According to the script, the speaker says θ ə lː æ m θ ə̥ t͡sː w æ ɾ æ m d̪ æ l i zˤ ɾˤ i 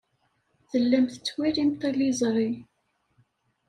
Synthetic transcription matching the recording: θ ə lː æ m θ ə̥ t͡sː w i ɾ i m t̪ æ l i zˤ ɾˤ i